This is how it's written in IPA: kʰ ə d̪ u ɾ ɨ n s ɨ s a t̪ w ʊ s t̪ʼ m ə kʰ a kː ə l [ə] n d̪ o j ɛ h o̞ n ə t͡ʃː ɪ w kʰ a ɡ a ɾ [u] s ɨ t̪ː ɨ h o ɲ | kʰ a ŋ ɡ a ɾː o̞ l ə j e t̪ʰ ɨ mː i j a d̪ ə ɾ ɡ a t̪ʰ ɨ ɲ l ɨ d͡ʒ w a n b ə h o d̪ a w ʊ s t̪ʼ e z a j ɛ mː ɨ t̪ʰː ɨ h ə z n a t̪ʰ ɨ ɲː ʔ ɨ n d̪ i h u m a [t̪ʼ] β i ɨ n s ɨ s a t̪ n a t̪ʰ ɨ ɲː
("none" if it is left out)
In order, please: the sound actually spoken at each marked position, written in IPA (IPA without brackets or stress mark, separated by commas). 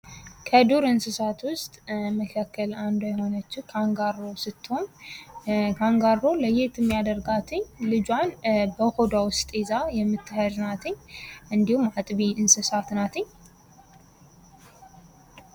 a, o, t̪ʼ